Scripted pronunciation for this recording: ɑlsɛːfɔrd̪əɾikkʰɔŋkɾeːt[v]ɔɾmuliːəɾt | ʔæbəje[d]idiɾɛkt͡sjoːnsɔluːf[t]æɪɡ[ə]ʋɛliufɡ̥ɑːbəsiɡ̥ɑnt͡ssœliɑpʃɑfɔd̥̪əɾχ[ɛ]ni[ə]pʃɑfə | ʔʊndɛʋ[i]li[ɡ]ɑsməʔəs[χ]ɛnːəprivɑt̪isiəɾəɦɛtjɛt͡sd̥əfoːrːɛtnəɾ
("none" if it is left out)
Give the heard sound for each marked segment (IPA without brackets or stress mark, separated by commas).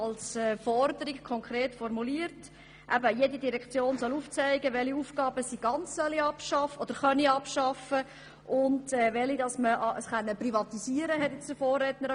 f, d, t͡s, ə, œ, ɑ, ɛ, d, χ